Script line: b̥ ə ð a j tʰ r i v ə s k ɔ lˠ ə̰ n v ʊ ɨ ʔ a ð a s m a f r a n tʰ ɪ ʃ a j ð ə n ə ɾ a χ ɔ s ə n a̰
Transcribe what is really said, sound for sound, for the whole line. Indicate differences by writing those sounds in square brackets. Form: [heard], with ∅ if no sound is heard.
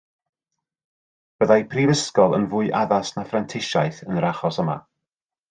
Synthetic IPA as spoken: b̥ ə ð a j [pʰ] r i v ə s k ɔ lˠ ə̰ n v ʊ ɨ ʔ a ð a s [n] a f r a n tʰ ɪ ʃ a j [θ] ə n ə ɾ a χ ɔ s ə [m] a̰